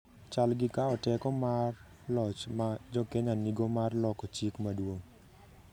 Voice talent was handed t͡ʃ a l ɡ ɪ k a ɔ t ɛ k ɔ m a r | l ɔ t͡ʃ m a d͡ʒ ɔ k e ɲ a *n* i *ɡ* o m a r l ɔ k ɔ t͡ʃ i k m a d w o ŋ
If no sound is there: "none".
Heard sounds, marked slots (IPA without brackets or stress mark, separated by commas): n, ɡ